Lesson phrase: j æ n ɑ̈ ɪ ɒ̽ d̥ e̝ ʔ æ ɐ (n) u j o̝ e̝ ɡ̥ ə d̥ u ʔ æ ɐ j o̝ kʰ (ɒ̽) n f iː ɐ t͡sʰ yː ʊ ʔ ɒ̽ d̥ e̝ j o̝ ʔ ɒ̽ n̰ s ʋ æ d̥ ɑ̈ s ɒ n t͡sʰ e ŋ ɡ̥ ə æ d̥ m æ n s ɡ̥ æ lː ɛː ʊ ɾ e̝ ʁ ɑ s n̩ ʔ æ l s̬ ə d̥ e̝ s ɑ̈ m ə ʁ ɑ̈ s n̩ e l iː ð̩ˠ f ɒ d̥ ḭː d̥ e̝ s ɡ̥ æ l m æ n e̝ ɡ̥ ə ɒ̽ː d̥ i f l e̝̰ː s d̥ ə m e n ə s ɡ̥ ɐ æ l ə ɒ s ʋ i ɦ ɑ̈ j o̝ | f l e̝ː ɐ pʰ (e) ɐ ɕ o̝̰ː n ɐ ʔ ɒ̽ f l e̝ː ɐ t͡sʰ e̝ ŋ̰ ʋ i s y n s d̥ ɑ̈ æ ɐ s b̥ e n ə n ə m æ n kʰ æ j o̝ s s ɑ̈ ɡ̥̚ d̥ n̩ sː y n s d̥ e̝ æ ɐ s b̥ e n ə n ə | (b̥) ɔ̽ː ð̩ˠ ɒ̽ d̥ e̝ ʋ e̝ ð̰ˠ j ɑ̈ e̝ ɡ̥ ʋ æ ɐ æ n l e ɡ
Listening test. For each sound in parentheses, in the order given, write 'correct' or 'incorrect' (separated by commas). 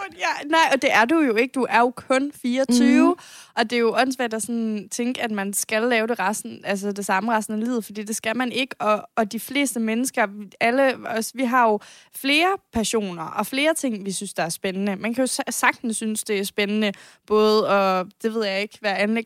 incorrect, incorrect, incorrect, correct